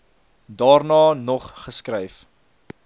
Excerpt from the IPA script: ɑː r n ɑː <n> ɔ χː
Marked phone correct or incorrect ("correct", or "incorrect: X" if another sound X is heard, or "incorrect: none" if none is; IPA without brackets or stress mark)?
correct